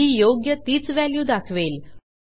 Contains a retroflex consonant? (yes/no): no